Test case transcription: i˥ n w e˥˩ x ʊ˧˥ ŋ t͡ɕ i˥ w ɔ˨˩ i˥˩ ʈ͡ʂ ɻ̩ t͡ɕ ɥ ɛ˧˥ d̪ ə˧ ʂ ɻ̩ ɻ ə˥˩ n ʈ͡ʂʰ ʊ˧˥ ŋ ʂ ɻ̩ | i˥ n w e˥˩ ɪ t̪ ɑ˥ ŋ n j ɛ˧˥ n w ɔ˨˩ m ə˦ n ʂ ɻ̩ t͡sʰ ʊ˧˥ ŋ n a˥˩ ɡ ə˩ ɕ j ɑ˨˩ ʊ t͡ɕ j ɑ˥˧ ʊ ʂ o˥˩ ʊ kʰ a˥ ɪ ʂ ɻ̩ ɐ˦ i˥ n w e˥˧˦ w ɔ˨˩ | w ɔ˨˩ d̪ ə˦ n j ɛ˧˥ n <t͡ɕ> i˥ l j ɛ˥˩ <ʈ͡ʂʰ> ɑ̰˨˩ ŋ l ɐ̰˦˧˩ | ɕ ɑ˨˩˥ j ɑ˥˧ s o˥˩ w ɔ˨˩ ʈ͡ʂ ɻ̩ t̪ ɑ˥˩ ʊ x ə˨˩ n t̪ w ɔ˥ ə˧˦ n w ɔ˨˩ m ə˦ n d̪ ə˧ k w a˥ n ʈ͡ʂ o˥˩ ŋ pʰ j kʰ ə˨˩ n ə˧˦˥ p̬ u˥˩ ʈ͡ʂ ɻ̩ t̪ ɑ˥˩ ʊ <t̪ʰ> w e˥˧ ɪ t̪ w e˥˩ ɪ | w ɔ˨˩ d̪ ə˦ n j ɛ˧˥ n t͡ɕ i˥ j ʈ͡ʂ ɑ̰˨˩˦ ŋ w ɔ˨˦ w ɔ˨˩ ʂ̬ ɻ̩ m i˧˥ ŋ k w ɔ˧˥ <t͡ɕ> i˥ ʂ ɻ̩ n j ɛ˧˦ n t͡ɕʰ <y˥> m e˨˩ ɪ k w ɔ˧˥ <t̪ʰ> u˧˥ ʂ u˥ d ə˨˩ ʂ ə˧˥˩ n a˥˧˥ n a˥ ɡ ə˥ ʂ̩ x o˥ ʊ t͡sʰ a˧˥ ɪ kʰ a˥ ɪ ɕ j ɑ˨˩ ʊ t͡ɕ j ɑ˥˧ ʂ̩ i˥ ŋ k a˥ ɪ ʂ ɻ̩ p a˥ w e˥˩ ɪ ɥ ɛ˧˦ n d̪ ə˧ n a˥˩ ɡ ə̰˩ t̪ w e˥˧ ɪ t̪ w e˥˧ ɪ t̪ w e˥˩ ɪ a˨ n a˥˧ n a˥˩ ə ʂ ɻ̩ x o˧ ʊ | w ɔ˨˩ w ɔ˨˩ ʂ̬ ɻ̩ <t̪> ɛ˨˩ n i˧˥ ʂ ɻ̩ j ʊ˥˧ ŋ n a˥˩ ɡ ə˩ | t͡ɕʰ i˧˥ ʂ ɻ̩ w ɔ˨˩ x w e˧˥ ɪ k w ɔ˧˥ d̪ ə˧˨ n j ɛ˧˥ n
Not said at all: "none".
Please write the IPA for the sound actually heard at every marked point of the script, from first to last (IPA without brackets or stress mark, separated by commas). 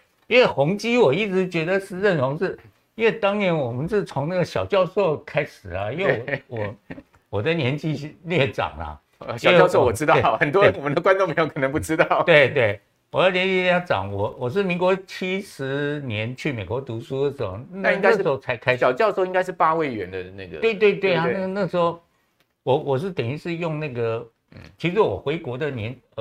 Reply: t͡ɕ, ʈ͡ʂ, t̪, t͡ɕʰ, y˥˩, t̪, t̪